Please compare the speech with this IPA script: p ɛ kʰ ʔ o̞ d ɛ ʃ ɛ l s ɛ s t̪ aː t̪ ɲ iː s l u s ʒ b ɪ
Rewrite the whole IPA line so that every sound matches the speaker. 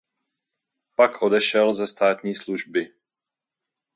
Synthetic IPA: p a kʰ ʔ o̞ d ɛ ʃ ɛ l z ɛ s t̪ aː t̪ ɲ iː s l u ʒ b ɪ